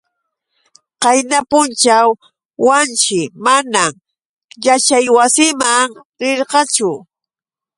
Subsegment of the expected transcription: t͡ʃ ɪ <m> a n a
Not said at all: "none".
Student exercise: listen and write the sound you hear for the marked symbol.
m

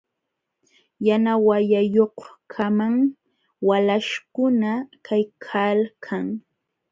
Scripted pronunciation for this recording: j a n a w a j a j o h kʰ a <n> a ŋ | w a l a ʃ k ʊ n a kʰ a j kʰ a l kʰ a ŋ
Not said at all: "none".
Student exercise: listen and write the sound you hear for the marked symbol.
m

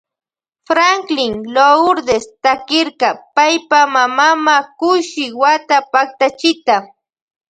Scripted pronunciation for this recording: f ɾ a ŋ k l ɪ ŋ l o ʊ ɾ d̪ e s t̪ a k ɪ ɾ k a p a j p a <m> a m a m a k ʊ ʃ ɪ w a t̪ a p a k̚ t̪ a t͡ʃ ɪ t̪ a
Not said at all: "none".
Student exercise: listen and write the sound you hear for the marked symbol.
m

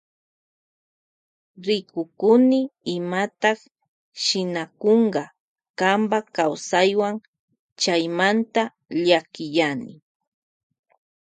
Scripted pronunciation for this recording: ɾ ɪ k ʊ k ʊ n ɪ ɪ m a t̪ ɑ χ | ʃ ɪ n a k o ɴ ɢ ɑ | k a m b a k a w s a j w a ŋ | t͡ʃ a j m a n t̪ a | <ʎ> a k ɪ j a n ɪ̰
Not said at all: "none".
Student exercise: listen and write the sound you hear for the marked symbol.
ʎ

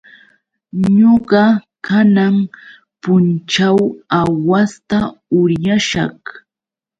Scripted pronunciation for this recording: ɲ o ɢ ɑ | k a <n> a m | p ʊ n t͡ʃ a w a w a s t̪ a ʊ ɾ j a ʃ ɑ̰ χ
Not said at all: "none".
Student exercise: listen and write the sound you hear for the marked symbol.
n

